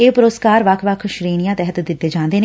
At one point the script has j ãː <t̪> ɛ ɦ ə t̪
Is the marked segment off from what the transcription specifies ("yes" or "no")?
no